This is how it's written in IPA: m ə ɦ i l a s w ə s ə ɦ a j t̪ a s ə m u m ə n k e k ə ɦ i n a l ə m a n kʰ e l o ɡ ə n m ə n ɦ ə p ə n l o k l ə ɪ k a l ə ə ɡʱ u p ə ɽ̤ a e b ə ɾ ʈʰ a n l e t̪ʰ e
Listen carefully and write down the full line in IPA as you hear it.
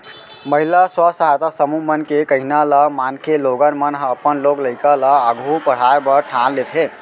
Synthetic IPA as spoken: m ə ɦ i l a s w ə s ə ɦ a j t̪ a s ə m u m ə n k e k ə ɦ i n a l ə m a n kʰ e l o ɡ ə n m ə n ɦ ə p ə n l o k l ə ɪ k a l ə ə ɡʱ u p ə ɽ̤ a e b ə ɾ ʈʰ a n l e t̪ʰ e